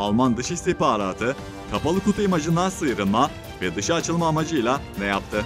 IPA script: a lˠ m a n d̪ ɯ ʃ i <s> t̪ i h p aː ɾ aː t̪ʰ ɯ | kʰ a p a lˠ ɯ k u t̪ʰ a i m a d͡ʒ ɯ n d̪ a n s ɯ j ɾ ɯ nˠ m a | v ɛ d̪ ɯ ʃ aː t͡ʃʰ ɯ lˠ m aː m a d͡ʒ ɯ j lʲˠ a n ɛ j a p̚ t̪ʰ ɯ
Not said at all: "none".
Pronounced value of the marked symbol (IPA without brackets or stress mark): s